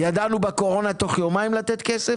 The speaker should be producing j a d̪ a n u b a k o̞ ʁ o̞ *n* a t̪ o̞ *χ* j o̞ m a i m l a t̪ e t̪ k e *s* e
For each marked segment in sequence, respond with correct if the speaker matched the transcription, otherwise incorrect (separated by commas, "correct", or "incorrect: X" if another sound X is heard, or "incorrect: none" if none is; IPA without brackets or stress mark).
correct, correct, correct